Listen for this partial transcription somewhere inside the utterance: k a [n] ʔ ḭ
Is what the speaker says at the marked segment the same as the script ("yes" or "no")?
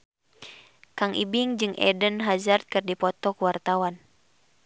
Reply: no